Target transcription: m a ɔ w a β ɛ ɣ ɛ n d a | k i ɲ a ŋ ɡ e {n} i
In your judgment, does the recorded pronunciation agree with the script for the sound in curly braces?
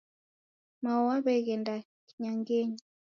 no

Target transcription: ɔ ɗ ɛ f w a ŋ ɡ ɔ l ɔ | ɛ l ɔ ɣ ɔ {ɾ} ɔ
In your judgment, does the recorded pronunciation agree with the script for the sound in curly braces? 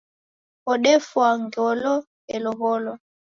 no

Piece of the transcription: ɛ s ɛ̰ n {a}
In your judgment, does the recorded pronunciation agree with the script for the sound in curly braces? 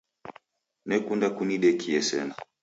yes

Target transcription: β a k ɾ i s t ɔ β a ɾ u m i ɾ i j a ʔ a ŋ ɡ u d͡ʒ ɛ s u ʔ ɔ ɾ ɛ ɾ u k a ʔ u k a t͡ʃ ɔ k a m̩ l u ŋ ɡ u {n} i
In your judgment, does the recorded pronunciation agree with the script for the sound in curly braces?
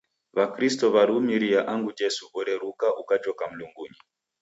no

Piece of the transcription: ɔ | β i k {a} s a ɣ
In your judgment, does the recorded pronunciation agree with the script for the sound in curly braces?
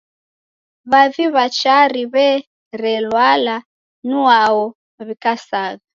yes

